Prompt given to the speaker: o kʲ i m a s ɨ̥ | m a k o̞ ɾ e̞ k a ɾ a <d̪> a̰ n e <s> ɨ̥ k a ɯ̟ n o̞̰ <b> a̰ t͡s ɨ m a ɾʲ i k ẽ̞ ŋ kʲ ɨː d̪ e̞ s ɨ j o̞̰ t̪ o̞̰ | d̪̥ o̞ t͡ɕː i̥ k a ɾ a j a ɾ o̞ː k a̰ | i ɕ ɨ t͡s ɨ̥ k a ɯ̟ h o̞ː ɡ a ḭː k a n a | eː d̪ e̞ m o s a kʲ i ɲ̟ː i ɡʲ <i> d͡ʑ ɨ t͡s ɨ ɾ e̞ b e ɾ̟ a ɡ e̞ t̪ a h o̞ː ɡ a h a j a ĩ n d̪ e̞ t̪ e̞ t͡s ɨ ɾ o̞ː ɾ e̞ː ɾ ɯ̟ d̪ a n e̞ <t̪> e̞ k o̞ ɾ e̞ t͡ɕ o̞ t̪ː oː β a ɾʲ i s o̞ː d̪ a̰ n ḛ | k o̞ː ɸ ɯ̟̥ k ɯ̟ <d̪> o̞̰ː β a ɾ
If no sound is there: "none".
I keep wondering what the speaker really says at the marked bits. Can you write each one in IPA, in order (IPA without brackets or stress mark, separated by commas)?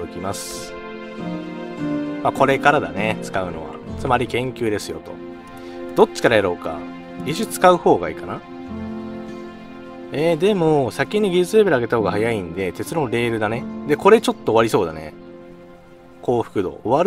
d̪, t͡s, β, i, d̪, d̪